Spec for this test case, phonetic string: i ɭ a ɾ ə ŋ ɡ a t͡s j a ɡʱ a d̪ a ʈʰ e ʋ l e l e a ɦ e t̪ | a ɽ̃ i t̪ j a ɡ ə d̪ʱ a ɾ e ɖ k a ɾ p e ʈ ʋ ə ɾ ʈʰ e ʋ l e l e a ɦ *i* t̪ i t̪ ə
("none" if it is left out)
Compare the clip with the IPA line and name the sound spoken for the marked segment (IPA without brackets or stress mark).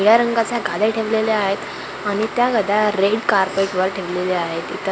e